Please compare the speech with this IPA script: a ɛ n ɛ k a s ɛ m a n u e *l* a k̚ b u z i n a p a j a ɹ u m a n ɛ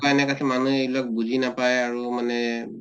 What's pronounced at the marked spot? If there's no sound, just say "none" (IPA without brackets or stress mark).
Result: l